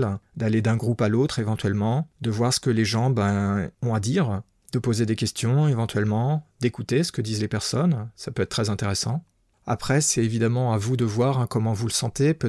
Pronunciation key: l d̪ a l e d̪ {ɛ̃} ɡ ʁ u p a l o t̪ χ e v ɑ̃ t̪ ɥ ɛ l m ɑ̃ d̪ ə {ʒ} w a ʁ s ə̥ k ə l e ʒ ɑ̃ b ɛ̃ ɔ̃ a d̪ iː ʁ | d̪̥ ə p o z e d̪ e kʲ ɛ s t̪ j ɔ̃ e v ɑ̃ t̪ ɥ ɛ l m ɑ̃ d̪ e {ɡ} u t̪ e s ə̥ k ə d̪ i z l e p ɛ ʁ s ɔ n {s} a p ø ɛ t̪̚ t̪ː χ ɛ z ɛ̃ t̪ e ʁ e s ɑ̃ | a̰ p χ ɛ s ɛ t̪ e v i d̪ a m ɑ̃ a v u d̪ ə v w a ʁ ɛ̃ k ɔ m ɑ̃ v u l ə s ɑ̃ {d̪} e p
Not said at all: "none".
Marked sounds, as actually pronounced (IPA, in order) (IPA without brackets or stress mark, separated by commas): ɛ̃, v, k, s, t̪